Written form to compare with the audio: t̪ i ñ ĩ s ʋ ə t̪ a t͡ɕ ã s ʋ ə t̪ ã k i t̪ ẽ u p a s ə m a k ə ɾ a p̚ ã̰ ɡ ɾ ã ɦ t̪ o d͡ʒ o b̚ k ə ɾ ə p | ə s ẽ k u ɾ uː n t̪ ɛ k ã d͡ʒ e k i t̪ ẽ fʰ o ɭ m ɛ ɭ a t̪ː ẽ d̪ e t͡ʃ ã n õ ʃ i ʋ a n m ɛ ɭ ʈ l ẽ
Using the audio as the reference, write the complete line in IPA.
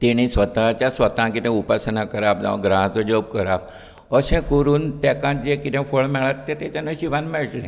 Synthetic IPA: t̪ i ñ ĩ s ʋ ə t̪ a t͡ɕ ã s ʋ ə t̪ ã k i t̪ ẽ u p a s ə n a k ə ɾ a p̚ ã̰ ɡ ɾ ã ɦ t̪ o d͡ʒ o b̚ k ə ɾ a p | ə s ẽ k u ɾ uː n t̪ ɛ k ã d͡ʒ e k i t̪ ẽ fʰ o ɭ m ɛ ɭ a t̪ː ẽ t̪ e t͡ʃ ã n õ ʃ i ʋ a n m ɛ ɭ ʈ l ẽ